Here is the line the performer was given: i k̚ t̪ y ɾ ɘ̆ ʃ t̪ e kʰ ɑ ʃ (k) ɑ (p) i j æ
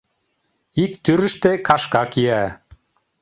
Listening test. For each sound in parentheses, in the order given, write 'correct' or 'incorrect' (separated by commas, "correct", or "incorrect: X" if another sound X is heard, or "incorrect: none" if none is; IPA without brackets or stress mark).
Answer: correct, incorrect: k